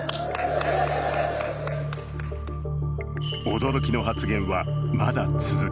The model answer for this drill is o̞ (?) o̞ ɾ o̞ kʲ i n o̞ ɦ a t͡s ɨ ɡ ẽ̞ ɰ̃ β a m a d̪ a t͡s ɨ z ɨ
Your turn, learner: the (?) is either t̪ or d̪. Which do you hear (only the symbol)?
d̪